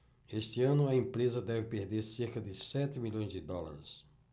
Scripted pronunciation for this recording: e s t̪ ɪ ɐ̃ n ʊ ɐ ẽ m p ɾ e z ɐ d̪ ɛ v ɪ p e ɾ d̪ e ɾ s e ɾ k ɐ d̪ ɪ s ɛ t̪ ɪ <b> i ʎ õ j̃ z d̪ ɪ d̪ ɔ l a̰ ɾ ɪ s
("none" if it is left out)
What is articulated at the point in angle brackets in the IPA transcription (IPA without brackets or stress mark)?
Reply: m